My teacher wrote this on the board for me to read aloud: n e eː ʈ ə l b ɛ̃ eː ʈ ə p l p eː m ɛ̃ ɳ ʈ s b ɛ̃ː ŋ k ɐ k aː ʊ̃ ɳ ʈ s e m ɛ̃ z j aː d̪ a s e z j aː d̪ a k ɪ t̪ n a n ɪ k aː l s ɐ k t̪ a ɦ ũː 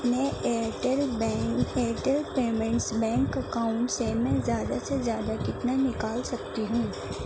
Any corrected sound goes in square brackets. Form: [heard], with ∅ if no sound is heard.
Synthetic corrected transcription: n e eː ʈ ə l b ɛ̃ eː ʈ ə [∅] l p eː m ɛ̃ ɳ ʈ s b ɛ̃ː ŋ k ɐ k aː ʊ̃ ɳ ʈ s e m ɛ̃ z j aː d̪ a s e z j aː d̪ a k ɪ t̪ n a n ɪ k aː l s ɐ k t̪ [i] ɦ ũː

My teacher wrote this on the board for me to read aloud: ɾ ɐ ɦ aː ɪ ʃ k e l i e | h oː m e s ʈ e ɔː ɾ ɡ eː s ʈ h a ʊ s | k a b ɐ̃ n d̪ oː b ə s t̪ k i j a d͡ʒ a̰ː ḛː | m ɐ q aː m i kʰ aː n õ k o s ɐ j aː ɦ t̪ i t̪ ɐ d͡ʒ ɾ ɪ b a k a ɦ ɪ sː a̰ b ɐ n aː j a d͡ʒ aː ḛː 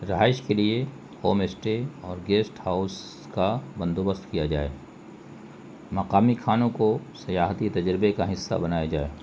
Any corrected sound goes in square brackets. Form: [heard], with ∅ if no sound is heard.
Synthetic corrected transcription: ɾ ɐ ɦ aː ɪ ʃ k e l i e | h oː m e s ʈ e ɔː ɾ ɡ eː s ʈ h a ʊ s | k a b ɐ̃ n d̪ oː b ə s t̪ k i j a d͡ʒ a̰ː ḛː | m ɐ q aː m i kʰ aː n õ k o s ɐ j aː ɦ t̪ i t̪ ɐ d͡ʒ ɾ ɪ b [e] k a ɦ ɪ sː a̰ b ɐ n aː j a d͡ʒ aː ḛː

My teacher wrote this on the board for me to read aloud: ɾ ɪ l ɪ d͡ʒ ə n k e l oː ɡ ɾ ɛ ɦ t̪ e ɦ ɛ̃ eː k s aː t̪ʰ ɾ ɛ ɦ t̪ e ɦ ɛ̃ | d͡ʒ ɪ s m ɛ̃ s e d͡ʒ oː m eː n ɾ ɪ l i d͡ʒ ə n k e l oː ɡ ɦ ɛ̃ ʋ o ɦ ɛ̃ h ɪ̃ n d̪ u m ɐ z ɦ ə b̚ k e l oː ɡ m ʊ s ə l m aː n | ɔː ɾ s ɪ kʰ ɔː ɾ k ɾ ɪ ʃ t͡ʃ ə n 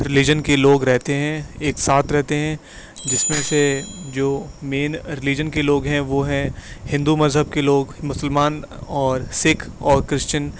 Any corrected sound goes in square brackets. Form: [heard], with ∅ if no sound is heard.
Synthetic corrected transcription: ɾ ɪ l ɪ d͡ʒ ə n k e l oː ɡ ɾ ɛ ɦ t̪ e ɦ ɛ̃ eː k s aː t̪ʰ ɾ ɛ ɦ t̪ e ɦ ɛ̃ | d͡ʒ ɪ s m [ẽ] s e d͡ʒ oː m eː n ɾ ɪ l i d͡ʒ ə n k e l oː ɡ ɦ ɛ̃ ʋ o ɦ ɛ̃ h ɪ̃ n d̪ u m ɐ z ɦ ə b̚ k e l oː ɡ m ʊ s ə l m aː n | ɔː ɾ s ɪ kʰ ɔː ɾ k ɾ ɪ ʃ t͡ʃ ə n

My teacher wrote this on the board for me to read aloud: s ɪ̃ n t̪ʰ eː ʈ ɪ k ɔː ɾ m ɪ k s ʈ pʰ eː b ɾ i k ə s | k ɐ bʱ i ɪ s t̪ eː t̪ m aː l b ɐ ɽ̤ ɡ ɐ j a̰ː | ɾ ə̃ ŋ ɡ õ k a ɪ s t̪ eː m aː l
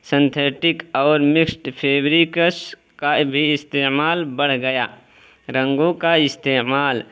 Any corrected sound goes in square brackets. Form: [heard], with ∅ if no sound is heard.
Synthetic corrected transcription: s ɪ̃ n t̪ʰ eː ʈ ɪ k ɔː ɾ m ɪ k s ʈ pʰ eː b ɾ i k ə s | k [a] bʱ i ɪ s t̪ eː [∅] m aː l b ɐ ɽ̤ ɡ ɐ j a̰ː | ɾ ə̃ ŋ ɡ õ k a ɪ s t̪ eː m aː l

